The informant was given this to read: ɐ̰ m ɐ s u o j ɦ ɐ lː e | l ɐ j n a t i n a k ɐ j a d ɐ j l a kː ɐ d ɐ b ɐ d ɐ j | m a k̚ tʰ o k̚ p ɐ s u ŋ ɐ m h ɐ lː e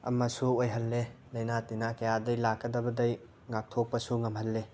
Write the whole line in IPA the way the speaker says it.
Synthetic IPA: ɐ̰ m ɐ s u o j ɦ ɐ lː e | l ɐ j n a t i n a k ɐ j a d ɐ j l a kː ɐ d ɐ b ɐ d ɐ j | ŋ a k̚ tʰ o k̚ p ɐ s u ŋ ɐ m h ɐ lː e